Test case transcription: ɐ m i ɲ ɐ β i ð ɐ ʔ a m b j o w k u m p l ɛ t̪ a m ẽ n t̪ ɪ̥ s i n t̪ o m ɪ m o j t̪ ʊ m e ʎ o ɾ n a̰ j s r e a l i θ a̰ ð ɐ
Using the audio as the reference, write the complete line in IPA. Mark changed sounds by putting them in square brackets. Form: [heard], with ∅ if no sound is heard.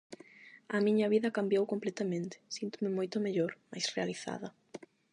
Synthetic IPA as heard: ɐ m i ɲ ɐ β i ð ɐ [k] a m b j o w k [o] m p l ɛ t̪ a m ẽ n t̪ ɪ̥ s i n t̪ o m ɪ m o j t̪ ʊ m e ʎ o ɾ [m] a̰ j s r e a l i θ a̰ ð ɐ